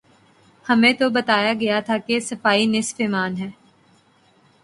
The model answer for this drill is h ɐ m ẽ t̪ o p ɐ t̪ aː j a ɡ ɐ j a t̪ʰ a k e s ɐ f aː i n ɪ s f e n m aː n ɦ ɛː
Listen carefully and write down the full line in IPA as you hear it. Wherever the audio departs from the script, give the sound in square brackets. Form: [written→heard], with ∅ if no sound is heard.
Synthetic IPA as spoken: h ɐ m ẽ t̪ o [p→b] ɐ t̪ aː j a ɡ ɐ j a t̪ʰ a k e s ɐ f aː i n ɪ s f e [n→∅] m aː n ɦ ɛː

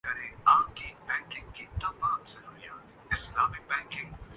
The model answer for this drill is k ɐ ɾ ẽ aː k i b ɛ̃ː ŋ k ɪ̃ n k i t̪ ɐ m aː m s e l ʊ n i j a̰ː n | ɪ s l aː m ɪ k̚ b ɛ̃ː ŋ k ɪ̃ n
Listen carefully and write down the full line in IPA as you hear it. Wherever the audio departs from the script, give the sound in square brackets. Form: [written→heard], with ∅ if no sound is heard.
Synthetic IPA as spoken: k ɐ ɾ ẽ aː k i b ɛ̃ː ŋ k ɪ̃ [n→ŋ] k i t̪ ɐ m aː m s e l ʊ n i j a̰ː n | ɪ s l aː m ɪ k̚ b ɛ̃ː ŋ k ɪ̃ [n→ŋ]

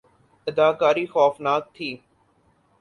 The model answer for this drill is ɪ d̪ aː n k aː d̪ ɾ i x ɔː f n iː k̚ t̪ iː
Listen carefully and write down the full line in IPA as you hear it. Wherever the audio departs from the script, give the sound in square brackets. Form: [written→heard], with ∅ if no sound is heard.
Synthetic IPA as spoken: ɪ d̪ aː [n→∅] k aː [d̪→∅] ɾ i x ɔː f n [iː→aː] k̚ [t̪→t̪ʰ] iː

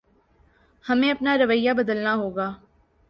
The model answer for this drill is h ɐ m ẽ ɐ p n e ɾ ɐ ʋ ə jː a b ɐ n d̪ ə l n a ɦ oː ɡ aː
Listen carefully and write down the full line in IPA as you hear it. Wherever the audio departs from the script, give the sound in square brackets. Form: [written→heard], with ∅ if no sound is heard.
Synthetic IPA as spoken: h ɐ m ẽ ɐ p n [e→a] ɾ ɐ ʋ ə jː a b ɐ [n→∅] d̪ ə l n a ɦ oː ɡ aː

